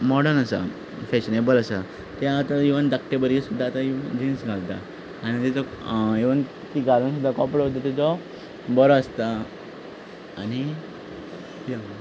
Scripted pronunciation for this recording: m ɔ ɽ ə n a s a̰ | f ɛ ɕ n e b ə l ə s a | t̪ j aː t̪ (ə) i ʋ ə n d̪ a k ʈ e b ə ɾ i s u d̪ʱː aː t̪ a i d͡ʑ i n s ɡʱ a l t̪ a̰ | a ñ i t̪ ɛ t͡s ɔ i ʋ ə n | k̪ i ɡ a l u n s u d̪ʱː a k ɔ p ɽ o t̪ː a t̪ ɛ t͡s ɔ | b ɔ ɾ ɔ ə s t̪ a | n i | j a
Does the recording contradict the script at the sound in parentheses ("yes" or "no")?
yes